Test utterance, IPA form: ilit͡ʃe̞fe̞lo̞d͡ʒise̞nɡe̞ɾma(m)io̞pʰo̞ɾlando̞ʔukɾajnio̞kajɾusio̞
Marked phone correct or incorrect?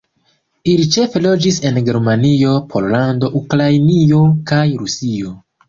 incorrect: n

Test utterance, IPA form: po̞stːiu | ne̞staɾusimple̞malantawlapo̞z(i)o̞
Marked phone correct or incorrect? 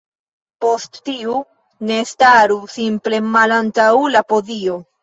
correct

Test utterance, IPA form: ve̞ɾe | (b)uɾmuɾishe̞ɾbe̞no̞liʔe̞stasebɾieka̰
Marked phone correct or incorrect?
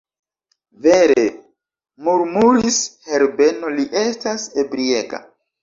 incorrect: m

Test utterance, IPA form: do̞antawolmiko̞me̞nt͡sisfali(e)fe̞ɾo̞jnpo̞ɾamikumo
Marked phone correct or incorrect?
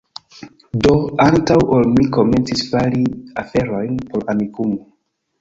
incorrect: a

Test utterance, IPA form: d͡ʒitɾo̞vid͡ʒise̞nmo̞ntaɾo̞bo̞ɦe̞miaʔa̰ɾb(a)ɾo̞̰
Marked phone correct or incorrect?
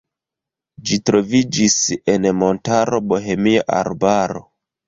correct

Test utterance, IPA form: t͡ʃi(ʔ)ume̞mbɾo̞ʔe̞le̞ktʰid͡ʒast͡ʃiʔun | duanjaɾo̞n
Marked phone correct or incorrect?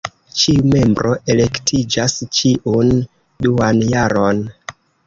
incorrect: none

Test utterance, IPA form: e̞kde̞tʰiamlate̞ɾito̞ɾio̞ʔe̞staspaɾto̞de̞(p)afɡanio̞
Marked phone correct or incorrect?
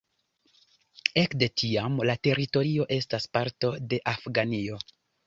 incorrect: ʔ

